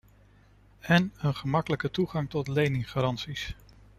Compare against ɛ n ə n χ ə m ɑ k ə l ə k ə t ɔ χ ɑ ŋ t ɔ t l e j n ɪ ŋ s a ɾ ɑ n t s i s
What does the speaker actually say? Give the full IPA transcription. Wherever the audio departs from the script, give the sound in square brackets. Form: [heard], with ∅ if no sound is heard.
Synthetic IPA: ɛ n ə n χ ə m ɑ k ə l ə k ə t [u] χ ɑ ŋ t ɔ t l e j n ɪ ŋ [χ] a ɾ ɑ n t s i s